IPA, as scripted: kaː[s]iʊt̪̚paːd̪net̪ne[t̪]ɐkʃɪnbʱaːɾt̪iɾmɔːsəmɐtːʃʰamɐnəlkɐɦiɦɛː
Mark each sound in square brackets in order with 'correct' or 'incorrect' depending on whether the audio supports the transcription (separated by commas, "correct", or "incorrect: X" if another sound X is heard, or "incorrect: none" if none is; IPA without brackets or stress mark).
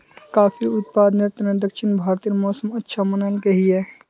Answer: incorrect: f, incorrect: d̪